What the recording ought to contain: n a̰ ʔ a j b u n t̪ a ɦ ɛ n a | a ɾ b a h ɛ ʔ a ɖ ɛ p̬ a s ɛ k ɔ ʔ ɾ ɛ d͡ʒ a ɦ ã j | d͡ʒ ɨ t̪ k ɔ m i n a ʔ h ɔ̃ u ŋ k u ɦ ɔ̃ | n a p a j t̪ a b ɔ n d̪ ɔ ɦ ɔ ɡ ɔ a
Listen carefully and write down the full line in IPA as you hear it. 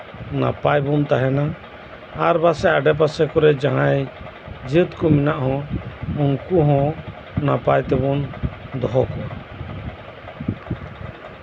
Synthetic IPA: n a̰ p a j b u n t̪ a ɦ ɛ n a | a ɾ b a s ɛ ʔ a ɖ ɛ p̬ a s ɛ k ɔ ɾ ɛ d͡ʒ a ɦ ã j | d͡ʒ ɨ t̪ k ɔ m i n a ʔ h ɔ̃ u ŋ k u ɦ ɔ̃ | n a p a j t̪ ɛ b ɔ n d̪ ɔ ɦ ɔ k ɔ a